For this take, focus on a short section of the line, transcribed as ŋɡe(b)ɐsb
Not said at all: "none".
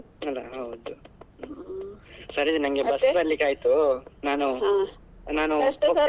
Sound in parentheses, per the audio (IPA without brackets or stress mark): b